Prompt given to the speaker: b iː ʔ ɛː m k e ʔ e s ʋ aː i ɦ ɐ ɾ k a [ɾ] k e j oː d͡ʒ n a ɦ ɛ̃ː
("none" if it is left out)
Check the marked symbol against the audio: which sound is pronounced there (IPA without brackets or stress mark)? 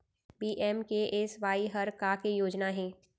none